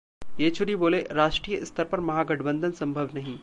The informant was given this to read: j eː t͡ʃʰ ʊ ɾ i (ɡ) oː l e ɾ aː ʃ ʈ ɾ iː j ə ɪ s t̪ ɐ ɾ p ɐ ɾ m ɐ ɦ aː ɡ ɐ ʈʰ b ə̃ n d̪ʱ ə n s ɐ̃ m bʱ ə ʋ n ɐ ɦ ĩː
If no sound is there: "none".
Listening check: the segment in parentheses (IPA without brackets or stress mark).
b